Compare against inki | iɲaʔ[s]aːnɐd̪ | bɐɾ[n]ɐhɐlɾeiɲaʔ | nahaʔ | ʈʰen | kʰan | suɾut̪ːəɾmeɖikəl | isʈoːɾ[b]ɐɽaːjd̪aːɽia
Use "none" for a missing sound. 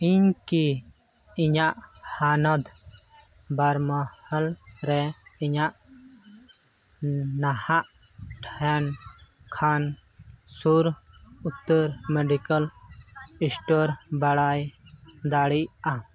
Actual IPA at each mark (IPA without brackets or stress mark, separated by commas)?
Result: h, m, b